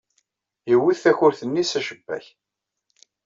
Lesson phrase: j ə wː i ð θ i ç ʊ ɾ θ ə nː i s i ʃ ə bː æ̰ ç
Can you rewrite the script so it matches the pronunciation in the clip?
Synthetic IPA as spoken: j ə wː i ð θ æ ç ʊ ɾ θ ə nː i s æ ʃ ə bː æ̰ ç